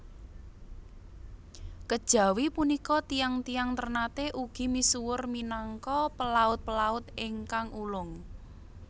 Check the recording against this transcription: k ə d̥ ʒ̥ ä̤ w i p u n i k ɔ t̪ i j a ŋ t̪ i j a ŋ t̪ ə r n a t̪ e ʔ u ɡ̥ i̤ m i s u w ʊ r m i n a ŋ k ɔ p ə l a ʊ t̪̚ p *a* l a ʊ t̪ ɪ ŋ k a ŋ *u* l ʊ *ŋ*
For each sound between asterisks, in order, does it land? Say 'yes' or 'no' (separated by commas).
no, yes, yes